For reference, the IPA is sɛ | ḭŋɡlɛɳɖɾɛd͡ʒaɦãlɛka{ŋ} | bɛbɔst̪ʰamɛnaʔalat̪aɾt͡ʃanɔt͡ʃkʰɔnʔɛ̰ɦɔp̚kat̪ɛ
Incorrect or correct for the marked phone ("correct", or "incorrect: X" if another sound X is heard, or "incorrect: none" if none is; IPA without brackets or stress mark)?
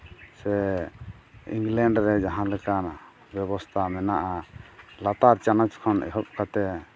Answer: incorrect: n